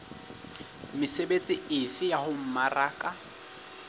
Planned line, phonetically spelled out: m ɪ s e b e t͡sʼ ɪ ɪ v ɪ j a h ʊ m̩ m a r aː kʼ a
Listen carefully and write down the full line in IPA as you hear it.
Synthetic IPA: m ɪ s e b e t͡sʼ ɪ ɪ f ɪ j a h ʊ m̩ m a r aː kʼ a